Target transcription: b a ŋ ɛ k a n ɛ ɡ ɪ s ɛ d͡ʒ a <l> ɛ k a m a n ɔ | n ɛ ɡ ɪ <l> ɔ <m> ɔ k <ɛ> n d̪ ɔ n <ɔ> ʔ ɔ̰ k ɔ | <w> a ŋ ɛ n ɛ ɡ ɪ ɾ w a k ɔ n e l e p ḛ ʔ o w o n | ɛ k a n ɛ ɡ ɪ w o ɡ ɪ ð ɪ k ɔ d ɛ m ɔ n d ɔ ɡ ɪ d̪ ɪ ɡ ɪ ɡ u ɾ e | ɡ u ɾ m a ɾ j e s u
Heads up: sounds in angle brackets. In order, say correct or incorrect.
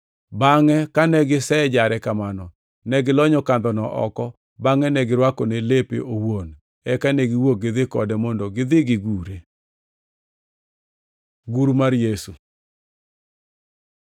incorrect: ɾ, correct, incorrect: ɲ, incorrect: a, correct, incorrect: b

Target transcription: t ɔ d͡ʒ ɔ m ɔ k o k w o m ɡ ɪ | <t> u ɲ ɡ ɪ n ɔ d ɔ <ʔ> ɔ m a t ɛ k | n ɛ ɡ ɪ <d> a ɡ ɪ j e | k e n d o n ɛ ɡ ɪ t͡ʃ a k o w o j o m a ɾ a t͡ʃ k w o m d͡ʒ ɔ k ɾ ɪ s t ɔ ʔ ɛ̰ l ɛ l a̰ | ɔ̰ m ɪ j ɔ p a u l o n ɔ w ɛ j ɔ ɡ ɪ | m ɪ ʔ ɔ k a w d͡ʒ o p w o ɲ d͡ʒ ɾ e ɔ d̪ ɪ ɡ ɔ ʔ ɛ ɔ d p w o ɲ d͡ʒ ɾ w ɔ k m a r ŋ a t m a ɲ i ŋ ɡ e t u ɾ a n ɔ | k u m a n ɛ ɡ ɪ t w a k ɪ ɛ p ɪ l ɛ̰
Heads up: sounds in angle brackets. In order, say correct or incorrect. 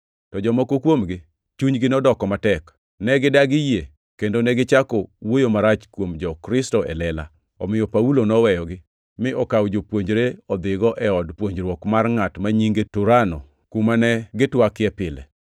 incorrect: t͡ʃ, incorrect: k, correct

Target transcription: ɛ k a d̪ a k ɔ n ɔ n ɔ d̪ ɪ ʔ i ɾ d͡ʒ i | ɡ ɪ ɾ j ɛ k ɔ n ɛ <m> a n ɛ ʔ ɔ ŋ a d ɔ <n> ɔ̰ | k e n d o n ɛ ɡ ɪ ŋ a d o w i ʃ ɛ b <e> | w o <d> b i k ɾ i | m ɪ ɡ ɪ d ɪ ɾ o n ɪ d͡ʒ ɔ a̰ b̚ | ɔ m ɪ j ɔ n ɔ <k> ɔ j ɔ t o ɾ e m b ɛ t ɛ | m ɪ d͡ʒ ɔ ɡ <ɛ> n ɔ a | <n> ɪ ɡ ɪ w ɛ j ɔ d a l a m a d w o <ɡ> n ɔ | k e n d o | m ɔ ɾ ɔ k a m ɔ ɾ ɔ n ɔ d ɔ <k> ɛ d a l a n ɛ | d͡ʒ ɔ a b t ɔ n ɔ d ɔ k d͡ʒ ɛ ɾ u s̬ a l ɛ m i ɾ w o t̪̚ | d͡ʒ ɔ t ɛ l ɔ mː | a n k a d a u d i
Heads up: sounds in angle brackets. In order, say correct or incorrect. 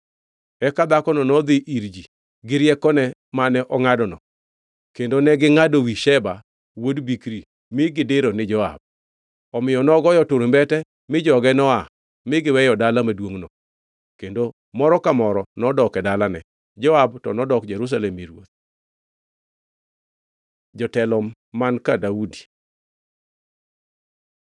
correct, correct, incorrect: a, correct, incorrect: ɡ, correct, incorrect: m, incorrect: ŋ, correct

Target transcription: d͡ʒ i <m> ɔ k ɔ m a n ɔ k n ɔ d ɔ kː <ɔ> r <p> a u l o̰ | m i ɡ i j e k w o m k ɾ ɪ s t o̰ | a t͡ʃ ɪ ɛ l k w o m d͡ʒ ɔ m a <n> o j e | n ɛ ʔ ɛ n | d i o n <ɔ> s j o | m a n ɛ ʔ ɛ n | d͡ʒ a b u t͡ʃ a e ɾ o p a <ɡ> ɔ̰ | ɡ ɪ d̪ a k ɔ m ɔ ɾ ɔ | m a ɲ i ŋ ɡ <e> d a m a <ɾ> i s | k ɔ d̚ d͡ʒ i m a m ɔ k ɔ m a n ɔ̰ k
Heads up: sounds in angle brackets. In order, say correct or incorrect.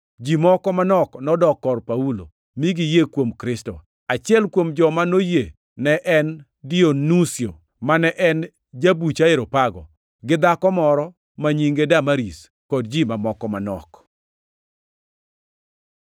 correct, correct, correct, correct, incorrect: u, correct, correct, correct

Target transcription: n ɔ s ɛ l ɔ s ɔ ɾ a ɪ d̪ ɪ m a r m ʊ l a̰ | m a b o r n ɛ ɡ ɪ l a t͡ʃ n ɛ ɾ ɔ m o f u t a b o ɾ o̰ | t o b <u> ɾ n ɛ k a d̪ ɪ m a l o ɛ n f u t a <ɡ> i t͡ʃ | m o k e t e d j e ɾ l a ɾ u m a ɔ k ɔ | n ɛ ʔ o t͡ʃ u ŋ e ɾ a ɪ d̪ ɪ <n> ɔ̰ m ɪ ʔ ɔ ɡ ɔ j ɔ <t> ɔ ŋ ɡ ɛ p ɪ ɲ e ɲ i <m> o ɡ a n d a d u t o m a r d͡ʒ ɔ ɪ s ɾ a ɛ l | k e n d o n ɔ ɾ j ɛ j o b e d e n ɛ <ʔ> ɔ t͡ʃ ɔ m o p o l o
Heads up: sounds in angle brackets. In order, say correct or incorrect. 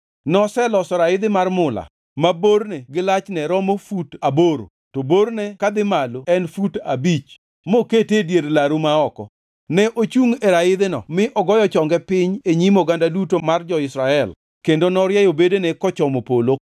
incorrect: o, incorrect: b, correct, incorrect: t͡ʃ, correct, incorrect: k

